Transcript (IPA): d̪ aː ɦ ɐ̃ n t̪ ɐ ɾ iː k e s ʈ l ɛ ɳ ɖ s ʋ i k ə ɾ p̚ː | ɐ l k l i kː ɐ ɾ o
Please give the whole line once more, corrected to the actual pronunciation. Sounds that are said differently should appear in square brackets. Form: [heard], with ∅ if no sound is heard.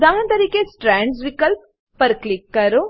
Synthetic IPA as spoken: d̪ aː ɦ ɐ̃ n t̪ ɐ ɾ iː k e s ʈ [ɾ] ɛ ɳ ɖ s ʋ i k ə [l] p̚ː | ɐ [ɾ] k l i kː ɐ ɾ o